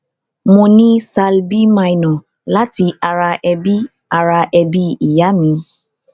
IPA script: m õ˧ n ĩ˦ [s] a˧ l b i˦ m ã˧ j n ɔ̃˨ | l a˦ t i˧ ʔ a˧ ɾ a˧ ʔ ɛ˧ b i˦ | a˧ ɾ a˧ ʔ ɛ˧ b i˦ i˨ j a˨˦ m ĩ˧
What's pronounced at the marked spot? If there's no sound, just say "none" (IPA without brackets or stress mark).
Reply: s